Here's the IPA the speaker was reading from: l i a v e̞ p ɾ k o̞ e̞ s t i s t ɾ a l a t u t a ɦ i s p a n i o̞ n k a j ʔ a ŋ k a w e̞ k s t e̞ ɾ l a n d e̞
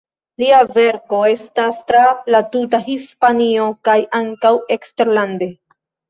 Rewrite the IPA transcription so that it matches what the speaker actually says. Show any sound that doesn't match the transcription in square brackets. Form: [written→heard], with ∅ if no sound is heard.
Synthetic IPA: l i a v e̞ [p→∅] ɾ k o̞ e̞ s t [i→a] s t ɾ a l a t u t a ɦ i s p a n i o̞ [n→∅] k a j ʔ a ŋ k a w e̞ k s t e̞ ɾ l a n d e̞